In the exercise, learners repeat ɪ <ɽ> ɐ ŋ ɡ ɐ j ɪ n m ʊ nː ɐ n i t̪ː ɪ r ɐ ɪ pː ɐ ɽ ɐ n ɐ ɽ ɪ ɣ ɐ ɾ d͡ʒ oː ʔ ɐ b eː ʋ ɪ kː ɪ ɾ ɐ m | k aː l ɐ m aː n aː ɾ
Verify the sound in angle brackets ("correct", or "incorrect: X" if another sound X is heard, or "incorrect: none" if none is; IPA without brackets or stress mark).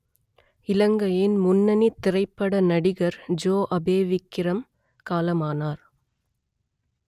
incorrect: l